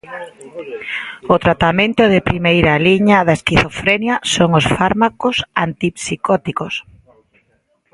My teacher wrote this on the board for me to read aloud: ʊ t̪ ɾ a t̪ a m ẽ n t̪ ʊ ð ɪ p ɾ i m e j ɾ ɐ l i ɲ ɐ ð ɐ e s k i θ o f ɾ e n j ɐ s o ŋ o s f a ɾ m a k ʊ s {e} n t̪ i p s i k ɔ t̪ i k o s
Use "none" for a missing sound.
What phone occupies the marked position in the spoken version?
a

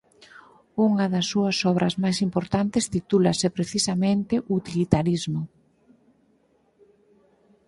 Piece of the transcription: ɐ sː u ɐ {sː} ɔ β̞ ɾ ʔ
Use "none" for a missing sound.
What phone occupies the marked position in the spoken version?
s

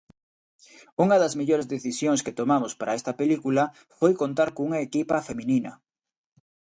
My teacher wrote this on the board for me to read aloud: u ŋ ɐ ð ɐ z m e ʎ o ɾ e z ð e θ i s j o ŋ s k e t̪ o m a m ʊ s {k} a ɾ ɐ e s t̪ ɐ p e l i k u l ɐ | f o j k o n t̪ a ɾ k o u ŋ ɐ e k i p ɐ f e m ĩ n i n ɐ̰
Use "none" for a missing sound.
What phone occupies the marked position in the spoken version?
p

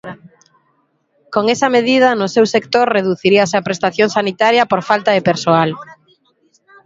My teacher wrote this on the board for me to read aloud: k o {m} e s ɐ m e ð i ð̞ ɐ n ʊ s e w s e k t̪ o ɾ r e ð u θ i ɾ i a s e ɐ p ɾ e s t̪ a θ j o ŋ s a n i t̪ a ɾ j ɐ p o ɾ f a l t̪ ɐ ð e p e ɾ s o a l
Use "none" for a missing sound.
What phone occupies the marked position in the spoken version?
ŋ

